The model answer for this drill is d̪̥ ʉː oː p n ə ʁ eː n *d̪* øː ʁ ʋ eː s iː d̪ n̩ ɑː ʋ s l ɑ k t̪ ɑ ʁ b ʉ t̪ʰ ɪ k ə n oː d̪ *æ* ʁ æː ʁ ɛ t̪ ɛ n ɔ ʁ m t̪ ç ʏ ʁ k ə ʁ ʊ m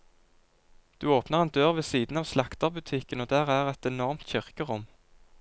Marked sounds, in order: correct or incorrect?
correct, incorrect: æː

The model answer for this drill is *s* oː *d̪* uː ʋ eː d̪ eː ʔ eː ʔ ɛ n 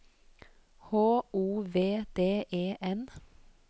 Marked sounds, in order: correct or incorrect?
incorrect: h, incorrect: none

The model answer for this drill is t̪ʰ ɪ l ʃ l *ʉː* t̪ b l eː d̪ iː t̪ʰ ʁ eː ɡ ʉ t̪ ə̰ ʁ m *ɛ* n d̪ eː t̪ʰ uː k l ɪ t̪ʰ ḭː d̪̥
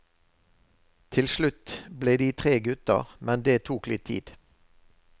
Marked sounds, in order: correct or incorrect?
incorrect: ʉ, correct

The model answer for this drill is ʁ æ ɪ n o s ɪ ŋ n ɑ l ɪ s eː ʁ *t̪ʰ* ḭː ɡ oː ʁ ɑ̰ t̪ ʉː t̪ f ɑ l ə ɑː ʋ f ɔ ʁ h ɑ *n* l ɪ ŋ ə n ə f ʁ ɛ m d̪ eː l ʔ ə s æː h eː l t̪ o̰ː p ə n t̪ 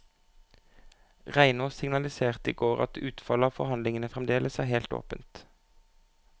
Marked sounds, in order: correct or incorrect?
incorrect: t̪, correct

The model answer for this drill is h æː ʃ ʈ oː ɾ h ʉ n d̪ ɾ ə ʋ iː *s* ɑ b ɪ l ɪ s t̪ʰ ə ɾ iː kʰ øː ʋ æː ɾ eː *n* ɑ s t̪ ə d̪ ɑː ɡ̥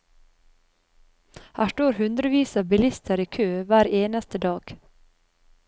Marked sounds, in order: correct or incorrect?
correct, correct

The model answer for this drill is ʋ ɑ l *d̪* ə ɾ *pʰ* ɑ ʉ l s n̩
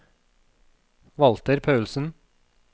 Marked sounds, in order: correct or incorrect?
incorrect: t̪, correct

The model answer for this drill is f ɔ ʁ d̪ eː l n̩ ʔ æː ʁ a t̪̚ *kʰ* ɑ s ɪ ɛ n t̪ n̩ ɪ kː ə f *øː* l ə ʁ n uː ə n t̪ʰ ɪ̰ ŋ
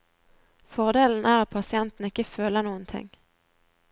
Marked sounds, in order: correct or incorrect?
incorrect: pʰ, correct

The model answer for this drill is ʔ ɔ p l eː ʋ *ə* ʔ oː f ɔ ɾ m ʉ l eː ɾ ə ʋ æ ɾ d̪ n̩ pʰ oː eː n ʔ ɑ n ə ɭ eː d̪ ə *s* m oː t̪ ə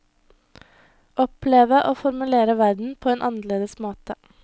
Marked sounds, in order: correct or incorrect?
correct, correct

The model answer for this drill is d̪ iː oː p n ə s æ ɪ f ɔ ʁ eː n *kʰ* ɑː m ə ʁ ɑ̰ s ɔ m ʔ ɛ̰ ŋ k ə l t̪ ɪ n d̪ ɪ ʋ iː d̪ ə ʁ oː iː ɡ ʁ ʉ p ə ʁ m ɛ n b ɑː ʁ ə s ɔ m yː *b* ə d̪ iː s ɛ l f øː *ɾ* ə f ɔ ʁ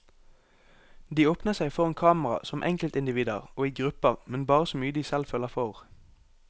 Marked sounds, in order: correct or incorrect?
correct, incorrect: none, incorrect: l

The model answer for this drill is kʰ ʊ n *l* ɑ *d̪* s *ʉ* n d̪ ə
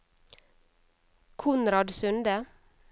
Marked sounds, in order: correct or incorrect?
incorrect: ɾ, correct, correct

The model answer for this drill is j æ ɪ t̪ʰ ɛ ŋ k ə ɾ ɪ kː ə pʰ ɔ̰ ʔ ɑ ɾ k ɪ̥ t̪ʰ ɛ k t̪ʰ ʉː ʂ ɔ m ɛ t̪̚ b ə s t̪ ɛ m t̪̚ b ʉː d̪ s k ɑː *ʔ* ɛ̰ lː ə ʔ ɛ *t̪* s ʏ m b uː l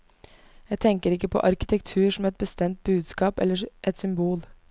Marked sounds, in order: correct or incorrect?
incorrect: p, correct

